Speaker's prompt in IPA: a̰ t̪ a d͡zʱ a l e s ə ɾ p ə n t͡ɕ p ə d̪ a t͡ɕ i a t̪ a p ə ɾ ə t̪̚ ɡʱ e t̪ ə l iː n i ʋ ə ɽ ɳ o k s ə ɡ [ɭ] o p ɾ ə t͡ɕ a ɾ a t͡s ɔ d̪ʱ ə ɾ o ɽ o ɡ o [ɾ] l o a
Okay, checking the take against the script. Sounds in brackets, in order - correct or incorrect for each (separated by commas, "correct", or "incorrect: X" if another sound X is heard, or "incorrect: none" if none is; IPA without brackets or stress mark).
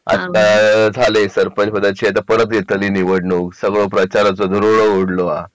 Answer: correct, incorrect: ɽ